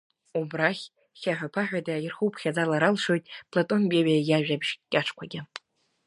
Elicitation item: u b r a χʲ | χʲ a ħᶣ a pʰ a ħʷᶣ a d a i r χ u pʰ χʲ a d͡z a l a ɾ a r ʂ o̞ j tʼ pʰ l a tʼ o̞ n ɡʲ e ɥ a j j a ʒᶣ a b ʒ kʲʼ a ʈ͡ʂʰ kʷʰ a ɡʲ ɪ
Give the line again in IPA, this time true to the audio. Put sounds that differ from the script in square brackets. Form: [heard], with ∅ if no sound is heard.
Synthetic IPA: u b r a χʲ | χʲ a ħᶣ a pʰ a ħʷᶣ a d a i r χ u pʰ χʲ a d͡z a l a ɾ a [l] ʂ o̞ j tʼ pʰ l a tʼ o̞ n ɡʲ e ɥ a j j a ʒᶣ a b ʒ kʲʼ a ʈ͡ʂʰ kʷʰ a ɡʲ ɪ

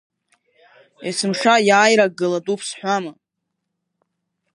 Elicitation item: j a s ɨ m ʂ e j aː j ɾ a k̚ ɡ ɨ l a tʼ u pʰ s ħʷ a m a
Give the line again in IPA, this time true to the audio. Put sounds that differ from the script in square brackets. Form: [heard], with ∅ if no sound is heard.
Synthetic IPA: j a s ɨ m ʂ [a] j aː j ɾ a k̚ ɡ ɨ l a tʼ u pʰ s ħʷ a m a

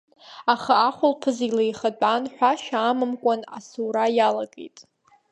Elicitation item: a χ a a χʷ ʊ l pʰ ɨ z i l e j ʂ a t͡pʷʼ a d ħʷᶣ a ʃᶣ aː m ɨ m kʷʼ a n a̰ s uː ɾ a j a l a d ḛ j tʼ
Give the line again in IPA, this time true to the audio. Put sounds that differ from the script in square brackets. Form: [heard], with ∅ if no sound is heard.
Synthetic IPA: a χ a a χʷ ʊ l pʰ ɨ z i l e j [χ] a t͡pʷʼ a [n] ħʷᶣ a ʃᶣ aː m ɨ m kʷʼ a n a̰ s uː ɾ a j a l a [ɡ] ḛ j tʼ

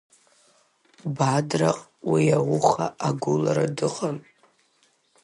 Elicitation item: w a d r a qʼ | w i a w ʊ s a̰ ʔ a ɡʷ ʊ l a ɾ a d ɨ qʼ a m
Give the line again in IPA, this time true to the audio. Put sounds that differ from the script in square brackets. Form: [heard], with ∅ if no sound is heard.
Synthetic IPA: [b] a d r a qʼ | w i a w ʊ [χ] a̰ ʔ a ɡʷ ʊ l a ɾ a d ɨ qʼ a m

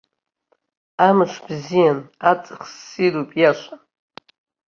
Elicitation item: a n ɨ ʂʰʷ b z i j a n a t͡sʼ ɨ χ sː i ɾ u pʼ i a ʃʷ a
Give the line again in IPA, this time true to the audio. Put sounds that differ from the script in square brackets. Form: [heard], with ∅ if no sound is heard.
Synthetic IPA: a [m] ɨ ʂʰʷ b z i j a n a t͡sʼ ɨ χ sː i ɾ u pʼ [j] a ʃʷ a

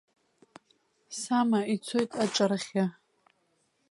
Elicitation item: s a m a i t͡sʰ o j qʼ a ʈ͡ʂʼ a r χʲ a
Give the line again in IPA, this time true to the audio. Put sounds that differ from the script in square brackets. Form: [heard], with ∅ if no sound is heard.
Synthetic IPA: s a m a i t͡sʰ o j [tʼ] a ʈ͡ʂʼ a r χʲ a

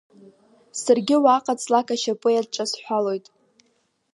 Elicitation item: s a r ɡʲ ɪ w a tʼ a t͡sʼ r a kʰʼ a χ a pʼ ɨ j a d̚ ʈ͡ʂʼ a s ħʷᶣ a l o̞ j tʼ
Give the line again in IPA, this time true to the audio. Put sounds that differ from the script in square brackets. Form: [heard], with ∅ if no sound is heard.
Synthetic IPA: s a r ɡʲ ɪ w a [qʼ] a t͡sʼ [l] a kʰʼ a [ʃ] a pʼ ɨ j a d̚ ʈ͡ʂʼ a s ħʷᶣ a l o̞ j tʼ

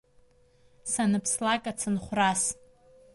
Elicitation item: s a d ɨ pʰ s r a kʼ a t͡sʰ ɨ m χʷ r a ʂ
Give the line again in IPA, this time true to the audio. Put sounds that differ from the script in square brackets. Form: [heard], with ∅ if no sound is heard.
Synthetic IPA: s a [n] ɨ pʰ s [l] a kʼ a t͡sʰ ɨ [n] χʷ r a [s]

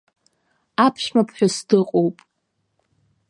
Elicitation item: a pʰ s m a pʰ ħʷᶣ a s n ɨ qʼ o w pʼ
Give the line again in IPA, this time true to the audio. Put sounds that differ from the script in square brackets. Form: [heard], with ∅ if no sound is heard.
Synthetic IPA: a pʰ [ʃ] m a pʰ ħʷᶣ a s [d] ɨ qʼ o w pʼ

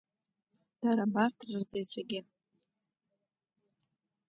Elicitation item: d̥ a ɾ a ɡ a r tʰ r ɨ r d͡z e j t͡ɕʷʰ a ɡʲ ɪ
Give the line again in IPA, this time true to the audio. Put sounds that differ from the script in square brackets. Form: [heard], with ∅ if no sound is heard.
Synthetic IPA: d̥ a ɾ a [b] a r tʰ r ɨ r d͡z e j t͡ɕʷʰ a ɡʲ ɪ

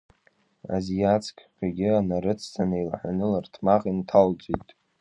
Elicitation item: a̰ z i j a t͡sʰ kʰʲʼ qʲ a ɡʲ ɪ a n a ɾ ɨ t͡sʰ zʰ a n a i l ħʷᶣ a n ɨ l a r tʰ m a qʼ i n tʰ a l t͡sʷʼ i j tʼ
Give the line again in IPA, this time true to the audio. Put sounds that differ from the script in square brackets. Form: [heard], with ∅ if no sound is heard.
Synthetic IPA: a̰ z i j a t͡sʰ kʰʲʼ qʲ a ɡʲ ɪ a n a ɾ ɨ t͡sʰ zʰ a n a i l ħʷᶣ a n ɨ l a r tʰ m a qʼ i n tʰ a l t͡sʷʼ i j tʼ

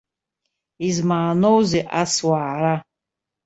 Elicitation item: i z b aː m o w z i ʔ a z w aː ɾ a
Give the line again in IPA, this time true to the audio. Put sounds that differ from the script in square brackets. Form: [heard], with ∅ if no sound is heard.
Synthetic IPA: i z [m] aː [n] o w z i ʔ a [s] w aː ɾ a

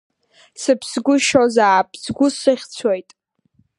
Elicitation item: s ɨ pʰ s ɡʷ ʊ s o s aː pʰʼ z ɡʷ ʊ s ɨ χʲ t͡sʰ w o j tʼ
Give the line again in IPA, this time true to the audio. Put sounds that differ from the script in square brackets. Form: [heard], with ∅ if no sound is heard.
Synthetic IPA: s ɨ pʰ s ɡʷ ʊ [ʃ] o [z] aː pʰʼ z ɡʷ ʊ s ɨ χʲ t͡sʰ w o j tʼ

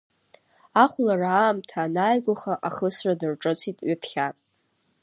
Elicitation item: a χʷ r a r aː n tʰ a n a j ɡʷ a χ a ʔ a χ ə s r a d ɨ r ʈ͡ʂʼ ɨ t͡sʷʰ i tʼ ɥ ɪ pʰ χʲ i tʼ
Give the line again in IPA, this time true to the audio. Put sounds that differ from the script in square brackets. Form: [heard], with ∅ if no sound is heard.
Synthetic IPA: a χʷ [l] a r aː [m] tʰ a n a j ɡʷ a χ a ʔ a χ ə s r a d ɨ r ʈ͡ʂʼ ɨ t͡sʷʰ i tʼ ɥ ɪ pʰ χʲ [a] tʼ

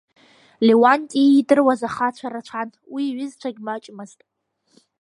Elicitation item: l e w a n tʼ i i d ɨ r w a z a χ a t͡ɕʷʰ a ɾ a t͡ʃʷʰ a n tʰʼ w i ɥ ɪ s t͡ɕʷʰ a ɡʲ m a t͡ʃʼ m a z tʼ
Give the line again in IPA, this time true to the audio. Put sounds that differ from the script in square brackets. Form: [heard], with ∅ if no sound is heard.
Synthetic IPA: l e w a n tʼ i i d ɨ r w a z a χ a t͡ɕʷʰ a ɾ a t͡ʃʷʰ a n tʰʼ w i ɥ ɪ [z] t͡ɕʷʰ a ɡʲ m a t͡ʃʼ m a z tʼ

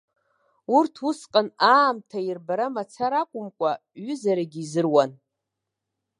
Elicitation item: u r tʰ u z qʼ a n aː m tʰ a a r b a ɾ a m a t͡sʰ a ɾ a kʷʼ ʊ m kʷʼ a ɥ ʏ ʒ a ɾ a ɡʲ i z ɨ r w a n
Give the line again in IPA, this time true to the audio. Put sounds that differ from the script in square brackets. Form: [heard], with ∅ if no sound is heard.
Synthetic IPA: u r tʰ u [s] qʼ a n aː m tʰ a [i] r b a ɾ a m a t͡sʰ a ɾ a kʷʼ ʊ m kʷʼ a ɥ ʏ [z] a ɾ a ɡʲ i z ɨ r w a n

